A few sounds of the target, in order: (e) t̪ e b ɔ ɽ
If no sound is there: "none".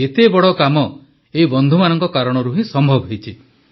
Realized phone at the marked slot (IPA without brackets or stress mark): e